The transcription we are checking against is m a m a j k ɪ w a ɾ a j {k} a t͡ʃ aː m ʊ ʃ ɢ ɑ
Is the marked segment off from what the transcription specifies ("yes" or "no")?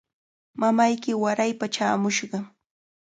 yes